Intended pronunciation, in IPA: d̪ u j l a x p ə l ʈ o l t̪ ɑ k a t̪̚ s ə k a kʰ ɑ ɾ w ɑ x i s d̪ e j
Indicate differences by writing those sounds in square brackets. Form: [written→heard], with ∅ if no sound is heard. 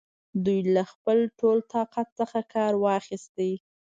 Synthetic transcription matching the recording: d̪ u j l a x p ə l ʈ o l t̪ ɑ [k→q] a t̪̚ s ə [k→x] a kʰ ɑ ɾ w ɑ x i s [d̪→t̪] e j